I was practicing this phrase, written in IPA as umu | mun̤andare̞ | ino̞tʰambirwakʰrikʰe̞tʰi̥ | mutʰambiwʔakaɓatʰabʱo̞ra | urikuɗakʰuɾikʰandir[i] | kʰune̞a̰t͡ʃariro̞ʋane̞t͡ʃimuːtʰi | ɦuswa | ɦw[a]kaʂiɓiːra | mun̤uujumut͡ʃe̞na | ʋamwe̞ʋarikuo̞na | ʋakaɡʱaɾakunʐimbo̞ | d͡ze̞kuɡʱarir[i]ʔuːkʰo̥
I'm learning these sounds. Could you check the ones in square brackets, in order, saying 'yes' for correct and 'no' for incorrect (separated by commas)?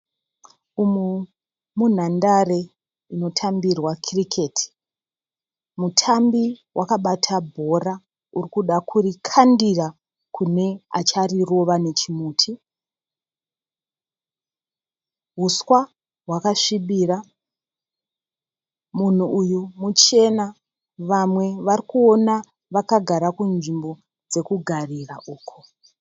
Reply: no, yes, no